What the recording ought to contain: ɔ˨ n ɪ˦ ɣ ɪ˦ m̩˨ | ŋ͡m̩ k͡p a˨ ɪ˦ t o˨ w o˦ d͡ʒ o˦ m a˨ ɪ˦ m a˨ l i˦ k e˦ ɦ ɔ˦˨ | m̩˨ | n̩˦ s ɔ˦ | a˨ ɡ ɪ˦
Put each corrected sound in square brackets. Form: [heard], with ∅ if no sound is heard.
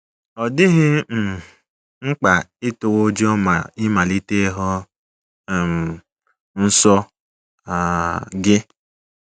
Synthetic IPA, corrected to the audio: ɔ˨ [d] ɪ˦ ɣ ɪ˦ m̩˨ | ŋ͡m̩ k͡p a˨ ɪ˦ t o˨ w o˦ d͡ʒ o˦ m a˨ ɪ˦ m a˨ l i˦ [t] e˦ ɦ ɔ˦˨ | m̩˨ | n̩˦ s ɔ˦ | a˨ ɡ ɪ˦